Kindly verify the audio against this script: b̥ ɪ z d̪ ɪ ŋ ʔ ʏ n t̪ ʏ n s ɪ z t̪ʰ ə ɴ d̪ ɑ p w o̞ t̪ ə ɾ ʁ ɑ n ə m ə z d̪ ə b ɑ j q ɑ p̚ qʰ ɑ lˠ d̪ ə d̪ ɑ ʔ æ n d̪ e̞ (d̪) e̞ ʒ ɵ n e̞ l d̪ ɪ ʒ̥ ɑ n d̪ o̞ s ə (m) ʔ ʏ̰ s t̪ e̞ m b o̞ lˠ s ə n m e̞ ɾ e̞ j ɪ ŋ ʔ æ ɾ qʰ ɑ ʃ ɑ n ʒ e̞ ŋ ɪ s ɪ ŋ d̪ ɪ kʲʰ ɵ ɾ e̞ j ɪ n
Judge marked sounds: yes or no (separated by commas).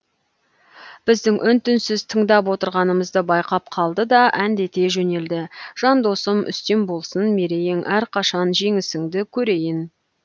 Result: no, yes